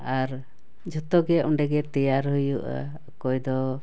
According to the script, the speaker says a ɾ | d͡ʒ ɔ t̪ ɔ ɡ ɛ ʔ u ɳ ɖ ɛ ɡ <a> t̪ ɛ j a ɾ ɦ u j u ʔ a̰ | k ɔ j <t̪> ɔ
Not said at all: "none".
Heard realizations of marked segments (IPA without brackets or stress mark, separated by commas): ɛ, d̪